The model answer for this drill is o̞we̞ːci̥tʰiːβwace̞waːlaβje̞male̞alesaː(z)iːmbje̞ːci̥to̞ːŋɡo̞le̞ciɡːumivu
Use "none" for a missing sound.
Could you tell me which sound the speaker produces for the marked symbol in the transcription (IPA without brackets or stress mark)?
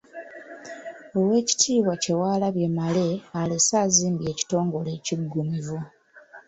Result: z